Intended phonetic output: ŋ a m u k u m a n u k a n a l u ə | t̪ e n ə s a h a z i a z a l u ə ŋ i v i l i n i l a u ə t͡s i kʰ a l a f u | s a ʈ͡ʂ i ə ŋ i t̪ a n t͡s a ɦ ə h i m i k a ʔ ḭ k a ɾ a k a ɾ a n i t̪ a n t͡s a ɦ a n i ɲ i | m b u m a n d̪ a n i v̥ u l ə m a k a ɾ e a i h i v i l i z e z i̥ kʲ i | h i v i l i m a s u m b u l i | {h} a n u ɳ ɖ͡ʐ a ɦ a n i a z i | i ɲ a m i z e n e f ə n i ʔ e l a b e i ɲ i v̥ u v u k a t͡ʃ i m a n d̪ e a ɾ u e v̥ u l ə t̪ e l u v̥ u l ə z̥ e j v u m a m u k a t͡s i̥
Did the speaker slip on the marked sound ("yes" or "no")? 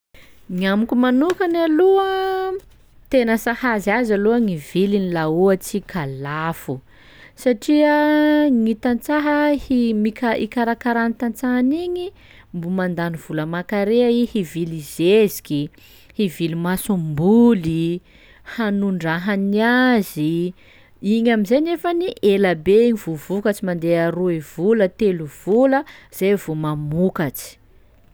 no